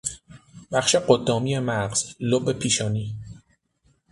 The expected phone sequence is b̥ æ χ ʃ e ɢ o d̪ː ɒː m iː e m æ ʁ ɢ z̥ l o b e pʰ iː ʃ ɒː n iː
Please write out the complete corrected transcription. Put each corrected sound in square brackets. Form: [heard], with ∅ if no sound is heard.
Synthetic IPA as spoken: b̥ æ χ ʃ e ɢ o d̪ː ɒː m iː e m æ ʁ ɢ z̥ l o b e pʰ iː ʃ ɒː n iː